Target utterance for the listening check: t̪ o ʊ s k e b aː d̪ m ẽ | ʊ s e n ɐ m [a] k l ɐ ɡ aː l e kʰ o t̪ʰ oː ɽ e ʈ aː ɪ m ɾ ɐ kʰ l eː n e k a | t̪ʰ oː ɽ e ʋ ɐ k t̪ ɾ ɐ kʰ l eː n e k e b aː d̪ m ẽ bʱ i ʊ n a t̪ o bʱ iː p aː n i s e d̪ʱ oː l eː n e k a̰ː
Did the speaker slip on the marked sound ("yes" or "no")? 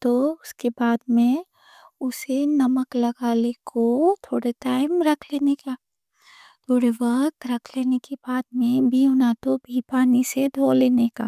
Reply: yes